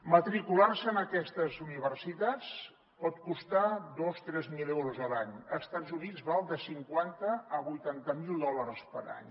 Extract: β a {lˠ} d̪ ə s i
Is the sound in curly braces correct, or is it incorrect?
correct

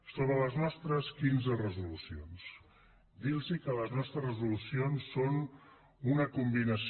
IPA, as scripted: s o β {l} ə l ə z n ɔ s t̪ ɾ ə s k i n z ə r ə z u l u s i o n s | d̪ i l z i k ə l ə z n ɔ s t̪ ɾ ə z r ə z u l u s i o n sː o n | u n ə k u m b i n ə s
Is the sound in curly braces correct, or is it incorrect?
incorrect: ɾ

